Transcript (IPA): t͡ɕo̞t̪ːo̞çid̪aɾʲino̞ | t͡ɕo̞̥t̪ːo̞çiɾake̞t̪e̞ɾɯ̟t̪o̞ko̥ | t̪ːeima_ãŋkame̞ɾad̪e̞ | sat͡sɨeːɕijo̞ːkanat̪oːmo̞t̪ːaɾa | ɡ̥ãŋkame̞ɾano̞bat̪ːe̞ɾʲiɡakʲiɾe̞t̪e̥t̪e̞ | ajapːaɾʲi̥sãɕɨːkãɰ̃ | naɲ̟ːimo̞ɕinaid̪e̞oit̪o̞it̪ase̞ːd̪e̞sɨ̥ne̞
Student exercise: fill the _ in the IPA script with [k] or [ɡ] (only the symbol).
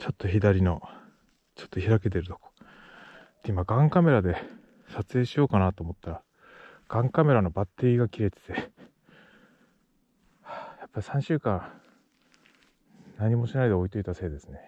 ɡ